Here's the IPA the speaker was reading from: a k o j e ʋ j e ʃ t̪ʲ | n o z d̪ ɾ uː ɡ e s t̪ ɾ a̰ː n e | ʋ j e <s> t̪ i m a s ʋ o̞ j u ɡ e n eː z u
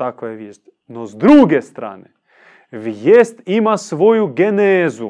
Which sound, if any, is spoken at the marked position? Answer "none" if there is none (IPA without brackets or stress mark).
s